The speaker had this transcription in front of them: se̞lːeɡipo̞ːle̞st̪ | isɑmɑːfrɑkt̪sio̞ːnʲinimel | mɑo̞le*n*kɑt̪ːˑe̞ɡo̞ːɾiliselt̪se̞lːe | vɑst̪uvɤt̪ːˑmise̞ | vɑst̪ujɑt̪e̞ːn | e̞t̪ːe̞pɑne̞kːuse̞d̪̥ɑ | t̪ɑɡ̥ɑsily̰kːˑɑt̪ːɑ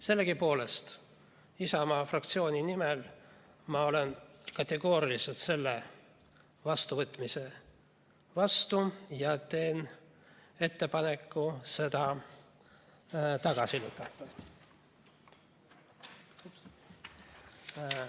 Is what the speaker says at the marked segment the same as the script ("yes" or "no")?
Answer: yes